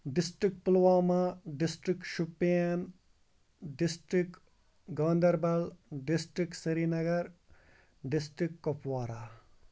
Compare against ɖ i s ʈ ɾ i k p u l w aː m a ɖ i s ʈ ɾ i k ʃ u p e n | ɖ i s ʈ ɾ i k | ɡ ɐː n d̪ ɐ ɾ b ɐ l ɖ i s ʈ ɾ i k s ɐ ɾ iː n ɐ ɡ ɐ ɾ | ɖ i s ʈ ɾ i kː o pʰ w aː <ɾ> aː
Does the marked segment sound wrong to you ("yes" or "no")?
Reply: no